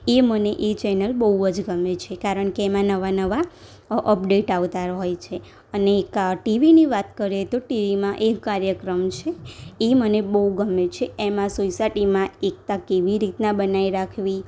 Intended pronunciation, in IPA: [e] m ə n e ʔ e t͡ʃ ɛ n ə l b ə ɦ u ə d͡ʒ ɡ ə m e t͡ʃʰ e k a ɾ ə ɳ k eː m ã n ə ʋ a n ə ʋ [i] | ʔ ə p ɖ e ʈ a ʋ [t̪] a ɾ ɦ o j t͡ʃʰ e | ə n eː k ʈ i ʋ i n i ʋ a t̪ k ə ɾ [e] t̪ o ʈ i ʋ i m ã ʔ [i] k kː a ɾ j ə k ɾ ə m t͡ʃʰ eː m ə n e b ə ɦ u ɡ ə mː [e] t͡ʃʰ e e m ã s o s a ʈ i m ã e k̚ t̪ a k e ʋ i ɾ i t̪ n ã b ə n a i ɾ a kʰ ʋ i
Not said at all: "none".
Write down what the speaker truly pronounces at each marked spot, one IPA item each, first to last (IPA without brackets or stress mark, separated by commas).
e, a, t̪, e, e, e